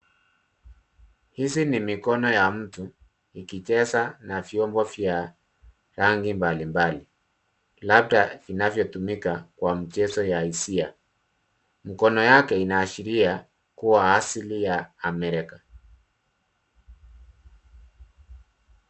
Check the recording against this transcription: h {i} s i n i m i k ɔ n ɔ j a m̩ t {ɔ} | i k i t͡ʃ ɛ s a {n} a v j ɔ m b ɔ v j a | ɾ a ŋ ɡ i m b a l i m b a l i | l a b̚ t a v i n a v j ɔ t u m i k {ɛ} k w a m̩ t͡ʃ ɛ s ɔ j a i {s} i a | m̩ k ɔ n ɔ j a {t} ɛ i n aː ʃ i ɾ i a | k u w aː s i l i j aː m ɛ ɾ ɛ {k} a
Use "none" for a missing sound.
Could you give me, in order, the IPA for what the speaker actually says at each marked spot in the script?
i, u, n, a, s, k, k

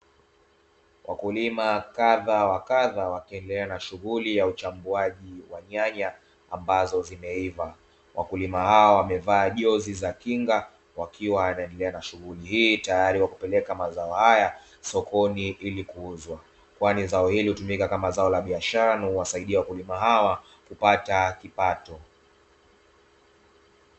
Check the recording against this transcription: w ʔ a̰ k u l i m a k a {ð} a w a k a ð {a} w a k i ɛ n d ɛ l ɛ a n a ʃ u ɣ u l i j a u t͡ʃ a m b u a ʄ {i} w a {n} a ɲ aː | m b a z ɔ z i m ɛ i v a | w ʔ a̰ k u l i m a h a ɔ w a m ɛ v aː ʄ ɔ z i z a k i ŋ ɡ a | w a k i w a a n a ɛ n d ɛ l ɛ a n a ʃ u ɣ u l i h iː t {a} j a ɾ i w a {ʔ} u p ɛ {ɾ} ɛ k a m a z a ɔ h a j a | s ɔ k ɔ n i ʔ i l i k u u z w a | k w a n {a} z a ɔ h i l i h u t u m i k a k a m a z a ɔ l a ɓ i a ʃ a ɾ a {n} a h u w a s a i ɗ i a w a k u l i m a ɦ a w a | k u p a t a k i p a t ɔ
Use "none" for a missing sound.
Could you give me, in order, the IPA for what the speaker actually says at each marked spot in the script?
ð, a, i, ɲ, a, k, l, i, n

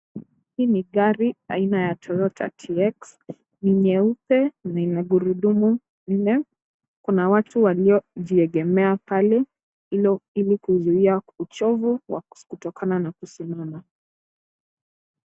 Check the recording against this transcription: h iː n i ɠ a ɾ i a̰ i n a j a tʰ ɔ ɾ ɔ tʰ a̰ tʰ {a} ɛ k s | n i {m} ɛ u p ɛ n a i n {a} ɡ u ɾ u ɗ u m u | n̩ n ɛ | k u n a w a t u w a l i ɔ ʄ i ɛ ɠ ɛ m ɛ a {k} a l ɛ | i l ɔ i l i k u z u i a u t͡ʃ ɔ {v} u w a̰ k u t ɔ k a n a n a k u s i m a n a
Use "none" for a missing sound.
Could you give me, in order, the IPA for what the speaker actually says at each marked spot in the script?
i, ɲ, a, p, v

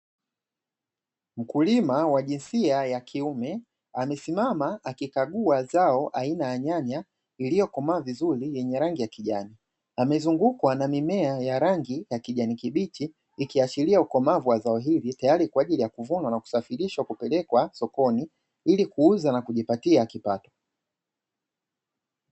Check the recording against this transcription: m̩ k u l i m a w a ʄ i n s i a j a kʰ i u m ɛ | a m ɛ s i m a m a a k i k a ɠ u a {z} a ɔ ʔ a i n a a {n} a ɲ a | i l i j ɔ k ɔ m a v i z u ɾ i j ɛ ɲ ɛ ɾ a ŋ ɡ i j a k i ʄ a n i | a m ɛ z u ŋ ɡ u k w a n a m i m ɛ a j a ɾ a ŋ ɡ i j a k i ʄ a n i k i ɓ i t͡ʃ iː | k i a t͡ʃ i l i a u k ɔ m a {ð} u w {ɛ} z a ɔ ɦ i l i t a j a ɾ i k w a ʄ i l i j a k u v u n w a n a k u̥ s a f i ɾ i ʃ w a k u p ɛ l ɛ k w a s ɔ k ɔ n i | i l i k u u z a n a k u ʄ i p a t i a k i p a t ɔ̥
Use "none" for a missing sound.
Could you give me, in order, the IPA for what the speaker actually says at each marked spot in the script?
z, ɲ, v, a

